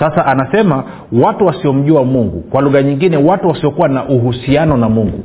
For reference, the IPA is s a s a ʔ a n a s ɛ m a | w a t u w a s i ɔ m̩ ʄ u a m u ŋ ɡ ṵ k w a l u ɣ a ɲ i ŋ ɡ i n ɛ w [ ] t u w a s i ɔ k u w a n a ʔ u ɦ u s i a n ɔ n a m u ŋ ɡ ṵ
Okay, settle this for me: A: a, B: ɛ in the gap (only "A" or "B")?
A